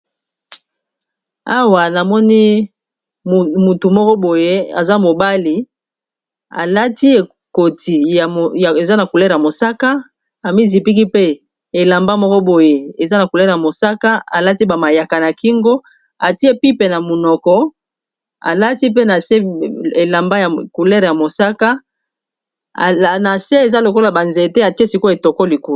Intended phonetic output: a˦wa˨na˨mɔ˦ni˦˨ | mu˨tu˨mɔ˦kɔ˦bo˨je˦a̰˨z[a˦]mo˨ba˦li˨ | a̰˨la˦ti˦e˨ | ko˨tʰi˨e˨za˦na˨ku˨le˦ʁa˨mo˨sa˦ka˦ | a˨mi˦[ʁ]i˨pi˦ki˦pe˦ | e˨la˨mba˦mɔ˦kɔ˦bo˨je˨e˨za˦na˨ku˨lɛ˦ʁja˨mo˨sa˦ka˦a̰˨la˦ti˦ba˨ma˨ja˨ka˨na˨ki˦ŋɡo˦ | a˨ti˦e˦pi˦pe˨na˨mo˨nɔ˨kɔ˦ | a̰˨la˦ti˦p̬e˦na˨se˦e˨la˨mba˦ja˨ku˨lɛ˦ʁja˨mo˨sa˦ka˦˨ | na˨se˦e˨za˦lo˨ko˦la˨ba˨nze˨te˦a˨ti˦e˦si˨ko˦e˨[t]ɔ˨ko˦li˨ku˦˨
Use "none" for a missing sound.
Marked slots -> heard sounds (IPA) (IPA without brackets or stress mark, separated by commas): a˦, z, t